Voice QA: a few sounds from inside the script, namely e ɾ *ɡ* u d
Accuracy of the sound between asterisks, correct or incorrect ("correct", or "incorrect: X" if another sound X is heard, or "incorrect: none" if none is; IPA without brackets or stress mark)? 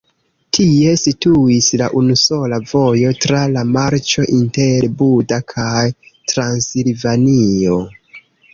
incorrect: b